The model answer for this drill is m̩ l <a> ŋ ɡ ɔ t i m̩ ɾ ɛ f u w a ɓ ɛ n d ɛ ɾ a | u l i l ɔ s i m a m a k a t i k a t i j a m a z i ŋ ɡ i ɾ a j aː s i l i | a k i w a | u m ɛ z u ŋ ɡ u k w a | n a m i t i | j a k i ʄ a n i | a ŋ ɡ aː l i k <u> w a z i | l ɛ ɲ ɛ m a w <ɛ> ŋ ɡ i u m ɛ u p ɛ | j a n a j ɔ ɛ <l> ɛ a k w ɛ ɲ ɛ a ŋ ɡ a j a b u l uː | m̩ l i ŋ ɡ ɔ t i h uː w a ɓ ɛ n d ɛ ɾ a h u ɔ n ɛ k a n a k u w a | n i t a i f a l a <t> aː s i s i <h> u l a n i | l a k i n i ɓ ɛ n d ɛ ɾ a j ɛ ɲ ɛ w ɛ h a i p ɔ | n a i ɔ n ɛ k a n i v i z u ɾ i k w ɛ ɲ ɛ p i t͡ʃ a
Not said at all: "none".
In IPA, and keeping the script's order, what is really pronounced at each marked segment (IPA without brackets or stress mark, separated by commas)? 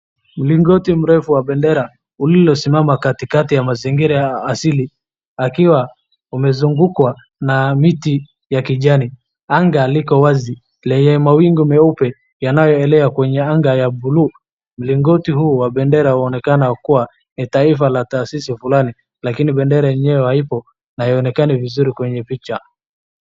i, ɔ, i, l, t, f